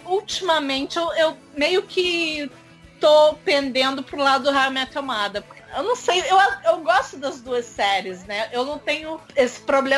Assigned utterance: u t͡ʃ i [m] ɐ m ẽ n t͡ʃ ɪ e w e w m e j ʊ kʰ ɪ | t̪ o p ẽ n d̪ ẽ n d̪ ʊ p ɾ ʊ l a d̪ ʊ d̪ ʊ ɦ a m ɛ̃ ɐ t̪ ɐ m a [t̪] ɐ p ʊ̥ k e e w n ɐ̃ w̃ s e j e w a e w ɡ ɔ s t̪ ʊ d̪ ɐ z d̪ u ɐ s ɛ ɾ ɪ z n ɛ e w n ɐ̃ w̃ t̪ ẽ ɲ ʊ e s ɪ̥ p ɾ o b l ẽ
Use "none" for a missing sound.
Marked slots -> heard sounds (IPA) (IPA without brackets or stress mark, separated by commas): m, d̪